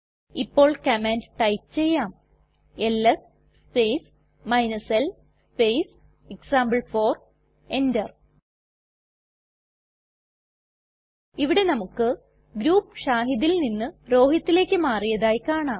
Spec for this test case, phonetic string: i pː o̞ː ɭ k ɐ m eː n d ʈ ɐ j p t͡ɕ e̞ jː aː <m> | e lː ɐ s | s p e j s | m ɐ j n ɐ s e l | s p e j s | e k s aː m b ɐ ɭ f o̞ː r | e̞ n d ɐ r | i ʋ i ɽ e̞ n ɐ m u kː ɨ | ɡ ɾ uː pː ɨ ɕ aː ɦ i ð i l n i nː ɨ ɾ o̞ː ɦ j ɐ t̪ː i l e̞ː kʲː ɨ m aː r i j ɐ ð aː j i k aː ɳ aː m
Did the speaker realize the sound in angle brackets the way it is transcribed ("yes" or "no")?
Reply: yes